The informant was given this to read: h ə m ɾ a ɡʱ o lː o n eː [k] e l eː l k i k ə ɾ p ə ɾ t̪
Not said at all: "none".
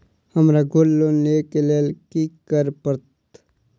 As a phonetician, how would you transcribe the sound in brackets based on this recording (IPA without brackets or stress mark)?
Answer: k